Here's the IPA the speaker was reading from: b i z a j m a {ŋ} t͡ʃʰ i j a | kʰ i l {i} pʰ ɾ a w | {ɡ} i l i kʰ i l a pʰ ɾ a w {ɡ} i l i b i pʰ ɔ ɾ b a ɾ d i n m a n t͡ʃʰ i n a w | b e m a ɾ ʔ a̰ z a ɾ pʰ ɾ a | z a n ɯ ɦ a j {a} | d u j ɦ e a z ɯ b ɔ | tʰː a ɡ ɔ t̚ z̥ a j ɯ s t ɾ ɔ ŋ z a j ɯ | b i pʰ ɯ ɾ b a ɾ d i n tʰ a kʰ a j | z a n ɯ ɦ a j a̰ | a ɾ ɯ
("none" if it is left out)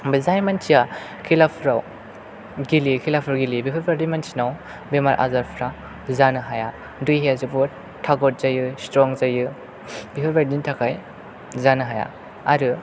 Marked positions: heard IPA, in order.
n, a, ɡ, ɡ, a

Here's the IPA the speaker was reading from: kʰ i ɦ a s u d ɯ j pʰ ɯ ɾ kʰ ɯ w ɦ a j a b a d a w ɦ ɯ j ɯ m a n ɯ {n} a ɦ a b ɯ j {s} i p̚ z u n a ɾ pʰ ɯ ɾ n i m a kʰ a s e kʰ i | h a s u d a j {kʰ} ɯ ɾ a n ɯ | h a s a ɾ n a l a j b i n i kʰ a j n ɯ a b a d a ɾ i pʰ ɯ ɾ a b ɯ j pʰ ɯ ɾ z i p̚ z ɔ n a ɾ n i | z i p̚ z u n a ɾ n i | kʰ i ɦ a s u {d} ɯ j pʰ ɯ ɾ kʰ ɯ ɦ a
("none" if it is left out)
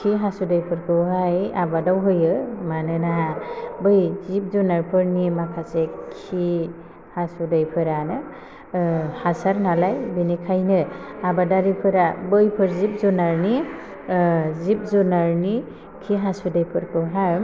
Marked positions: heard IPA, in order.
n, z, pʰ, d

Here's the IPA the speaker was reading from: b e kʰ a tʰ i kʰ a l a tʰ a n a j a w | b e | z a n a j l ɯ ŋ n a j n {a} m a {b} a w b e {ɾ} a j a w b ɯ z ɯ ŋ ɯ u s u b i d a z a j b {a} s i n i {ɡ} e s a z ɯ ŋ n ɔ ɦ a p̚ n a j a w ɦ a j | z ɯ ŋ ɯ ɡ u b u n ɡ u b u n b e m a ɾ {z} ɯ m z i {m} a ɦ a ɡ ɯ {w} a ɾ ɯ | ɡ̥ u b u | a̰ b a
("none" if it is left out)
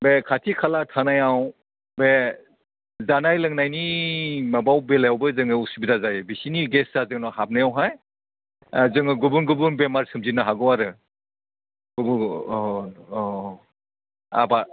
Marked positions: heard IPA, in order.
i, b, l, i, ɡ, s, n, w

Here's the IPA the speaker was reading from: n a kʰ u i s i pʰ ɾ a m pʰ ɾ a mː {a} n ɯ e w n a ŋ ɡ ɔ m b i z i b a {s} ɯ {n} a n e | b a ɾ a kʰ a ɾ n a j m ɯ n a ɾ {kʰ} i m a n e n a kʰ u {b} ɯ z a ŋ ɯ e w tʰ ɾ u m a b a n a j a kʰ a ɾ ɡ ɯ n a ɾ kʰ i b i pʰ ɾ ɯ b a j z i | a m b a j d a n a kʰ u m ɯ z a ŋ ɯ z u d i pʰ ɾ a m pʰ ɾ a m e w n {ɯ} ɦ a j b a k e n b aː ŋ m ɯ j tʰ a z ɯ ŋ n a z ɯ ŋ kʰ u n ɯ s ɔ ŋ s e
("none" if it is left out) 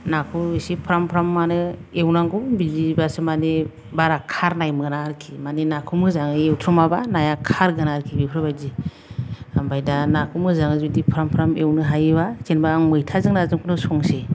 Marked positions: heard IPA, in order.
a, s, m, kʰ, m, ɯ

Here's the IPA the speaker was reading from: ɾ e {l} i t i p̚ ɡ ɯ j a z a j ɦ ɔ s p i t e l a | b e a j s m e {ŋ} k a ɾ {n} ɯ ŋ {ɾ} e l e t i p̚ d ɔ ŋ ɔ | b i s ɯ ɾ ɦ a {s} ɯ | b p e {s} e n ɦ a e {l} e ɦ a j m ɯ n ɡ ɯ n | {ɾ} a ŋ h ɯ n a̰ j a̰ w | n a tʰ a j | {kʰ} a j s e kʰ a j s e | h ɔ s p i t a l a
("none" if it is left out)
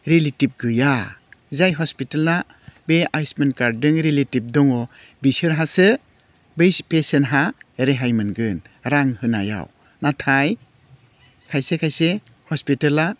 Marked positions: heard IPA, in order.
l, n, d, ɾ, s, s, ɾ, ɾ, kʰ

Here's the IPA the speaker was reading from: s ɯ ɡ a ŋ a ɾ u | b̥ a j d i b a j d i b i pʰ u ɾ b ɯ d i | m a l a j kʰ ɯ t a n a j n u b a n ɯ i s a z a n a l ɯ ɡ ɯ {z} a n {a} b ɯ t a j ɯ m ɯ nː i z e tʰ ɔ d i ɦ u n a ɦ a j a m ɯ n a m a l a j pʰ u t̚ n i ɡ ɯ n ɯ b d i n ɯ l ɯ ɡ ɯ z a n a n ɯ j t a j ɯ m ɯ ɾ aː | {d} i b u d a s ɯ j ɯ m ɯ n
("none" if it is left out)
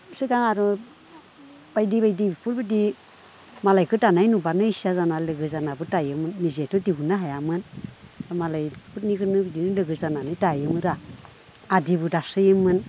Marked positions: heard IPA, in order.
z, a, d

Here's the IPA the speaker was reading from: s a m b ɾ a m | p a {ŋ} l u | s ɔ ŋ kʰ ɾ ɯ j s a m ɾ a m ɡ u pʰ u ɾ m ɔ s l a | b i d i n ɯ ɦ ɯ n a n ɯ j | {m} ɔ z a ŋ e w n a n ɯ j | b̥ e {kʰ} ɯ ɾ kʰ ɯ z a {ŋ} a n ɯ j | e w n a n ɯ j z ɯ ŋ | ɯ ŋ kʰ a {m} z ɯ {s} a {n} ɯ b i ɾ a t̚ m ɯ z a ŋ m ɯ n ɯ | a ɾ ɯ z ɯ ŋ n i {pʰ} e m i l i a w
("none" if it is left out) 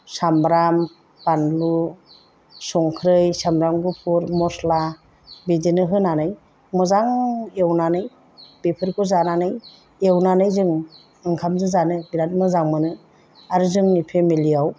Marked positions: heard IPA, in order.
n, m, pʰ, n, m, z, n, pʰ

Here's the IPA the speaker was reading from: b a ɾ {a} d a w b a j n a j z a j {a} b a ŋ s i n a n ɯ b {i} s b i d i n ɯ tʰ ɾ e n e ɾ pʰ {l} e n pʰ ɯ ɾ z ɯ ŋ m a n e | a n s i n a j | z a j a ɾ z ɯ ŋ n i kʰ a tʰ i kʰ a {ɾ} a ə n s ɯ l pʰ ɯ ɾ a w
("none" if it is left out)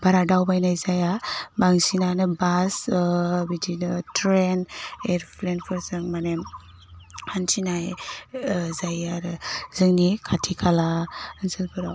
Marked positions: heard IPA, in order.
a, a, a, l, l

